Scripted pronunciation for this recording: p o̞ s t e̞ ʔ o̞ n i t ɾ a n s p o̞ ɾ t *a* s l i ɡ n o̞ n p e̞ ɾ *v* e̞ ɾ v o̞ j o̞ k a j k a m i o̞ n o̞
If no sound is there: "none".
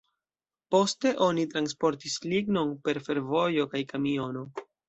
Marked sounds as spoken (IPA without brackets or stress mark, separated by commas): i, f